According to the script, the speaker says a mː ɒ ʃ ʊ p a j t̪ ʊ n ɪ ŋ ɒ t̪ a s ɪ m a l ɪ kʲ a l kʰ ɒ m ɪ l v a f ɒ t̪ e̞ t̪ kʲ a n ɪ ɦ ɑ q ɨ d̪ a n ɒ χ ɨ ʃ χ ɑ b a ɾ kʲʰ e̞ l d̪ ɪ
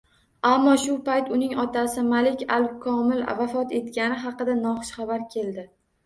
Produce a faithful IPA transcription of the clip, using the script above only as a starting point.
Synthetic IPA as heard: a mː ɒ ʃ ʊ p a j t̪ ʊ n ɪ ŋ ɒ t̪ a s ɪ m a l ɪ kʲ a l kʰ ɒ m ɪ l v a f ɒ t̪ e̞ t̪ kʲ a n ɪ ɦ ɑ q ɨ d̪ a n ɒ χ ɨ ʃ χ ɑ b a ɾ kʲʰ e̞ l d̪ ɪ